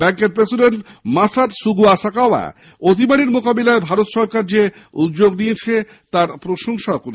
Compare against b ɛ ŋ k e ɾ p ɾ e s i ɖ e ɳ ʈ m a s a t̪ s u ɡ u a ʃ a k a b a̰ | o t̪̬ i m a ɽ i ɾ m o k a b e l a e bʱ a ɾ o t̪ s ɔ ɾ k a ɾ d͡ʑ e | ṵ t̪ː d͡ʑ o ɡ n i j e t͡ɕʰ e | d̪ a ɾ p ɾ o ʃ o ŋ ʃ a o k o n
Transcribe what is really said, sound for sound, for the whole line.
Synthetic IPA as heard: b ɛ ŋ k e ɾ p ɾ e s i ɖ e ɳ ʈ m a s a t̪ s u ɡ u a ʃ a k a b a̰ | o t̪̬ i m a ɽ i ɾ m o k a b e l a e bʱ a ɾ o t̪ ʃ ɔ ɾ k a ɾ d͡ʑ e | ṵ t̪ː d͡ʑ o ɡ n i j e t͡ɕʰ e | t̪ a ɾ p ɾ o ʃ o ŋ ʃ a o k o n

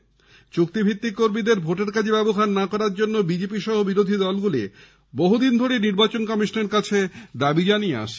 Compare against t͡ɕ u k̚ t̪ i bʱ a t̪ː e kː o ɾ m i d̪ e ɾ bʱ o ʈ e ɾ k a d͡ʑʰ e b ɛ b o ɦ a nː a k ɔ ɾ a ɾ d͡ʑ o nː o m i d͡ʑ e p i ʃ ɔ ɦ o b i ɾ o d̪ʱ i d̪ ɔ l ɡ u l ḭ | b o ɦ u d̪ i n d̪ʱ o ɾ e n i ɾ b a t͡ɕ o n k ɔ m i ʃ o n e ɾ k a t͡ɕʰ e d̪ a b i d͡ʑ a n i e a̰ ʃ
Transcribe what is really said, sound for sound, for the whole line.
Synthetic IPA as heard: t͡ɕ u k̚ t̪ i bʱ i t̪ː i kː o ɾ m i d̪ e ɾ bʱ o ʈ e ɾ k a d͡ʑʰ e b ɛ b o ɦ a nː a k ɔ ɾ a ɾ d͡ʑ o nː o b i d͡ʑ e p i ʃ ɔ ɦ o b i ɾ o d̪ʱ i d̪ ɔ l ɡ u l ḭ | b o ɦ u d̪ i n d̪ʱ o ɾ e n i ɾ b a t͡ɕ o n k ɔ m i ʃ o n e ɾ k a t͡ɕʰ e d̪ a b i d͡ʑ a n i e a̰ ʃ

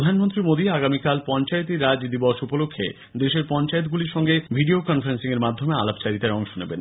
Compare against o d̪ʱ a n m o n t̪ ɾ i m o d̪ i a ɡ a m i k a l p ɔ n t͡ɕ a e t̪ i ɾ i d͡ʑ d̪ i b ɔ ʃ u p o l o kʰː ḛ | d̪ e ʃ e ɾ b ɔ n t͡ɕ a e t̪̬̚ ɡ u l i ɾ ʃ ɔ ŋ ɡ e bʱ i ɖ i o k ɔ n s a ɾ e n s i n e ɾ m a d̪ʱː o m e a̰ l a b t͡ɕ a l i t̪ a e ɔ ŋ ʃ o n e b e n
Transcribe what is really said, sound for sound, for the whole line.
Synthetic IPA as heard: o d̪ʱ a n m o n t̪ ɾ i m o d̪ i a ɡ a m i k a l p ɔ n t͡ɕ a e t̪ i ɾ a d͡ʑ d̪ i b ɔ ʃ u p o l o kʰː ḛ | d̪ e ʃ e ɾ p ɔ n t͡ɕ a e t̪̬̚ ɡ u l i ɾ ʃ ɔ ŋ ɡ e bʱ i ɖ i o k ɔ n f a ɾ e n s i ŋ e ɾ m a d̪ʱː o m e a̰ l a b t͡ɕ a ɾ i t̪ a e ɔ ŋ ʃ o n e b e n

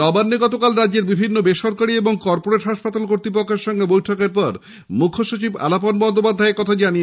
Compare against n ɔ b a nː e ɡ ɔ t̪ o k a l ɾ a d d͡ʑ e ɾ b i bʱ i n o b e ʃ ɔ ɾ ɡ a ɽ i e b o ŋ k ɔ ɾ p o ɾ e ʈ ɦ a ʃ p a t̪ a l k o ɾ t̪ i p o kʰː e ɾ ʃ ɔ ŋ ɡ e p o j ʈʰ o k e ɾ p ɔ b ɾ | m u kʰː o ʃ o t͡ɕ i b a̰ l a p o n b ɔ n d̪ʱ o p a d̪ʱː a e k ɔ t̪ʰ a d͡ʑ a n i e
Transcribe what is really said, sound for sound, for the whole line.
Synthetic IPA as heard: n ɔ b a nː e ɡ ɔ t̪ o k a l ɾ a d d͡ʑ e ɾ b i bʱ i nː o b e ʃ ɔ ɾ k a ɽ i e b o ŋ k ɔ ɾ p o ɾ e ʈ ɦ a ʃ p a t̪ a l k o ɾ t̪ i p o kʰː e ɾ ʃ ɔ ŋ ɡ e b o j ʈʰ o k e ɾ p ɔ ɾ | m u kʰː o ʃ o t͡ɕ i b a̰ l a p o n b ɔ n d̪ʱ o p a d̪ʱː a e k ɔ t̪ʰ a d͡ʑ a n i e

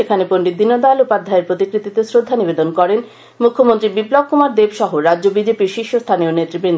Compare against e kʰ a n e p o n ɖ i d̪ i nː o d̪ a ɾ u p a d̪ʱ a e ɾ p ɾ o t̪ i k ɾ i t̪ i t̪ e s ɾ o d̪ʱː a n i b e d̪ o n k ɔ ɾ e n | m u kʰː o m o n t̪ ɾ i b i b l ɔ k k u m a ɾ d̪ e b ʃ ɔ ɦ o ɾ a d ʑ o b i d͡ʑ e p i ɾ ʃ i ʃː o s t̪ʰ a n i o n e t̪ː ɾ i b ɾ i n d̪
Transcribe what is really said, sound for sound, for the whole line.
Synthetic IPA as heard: e kʰ a n e p o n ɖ i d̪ i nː o d̪ a l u p a d̪ʱ a e ɾ p ɾ o t̪ i k ɾ i t̪ i t̪ e s ɾ o d̪ʱː a n i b e d̪ o n k ɔ ɾ e n | m u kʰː o m o n t̪ ɾ i b i b l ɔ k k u m a ɾ d̪ e b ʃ ɔ ɦ o ɾ a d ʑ o b i d͡ʑ e p i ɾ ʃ i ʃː o s t̪ʰ a n i o n e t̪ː ɾ i b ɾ i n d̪

